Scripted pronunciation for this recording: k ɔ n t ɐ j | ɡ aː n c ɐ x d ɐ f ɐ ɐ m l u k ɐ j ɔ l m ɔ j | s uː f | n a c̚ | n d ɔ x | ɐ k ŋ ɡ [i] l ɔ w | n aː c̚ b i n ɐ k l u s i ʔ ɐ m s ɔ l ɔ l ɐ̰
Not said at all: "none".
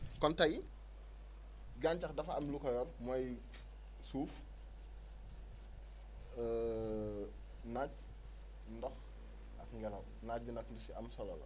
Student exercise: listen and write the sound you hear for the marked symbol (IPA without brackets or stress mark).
ɛ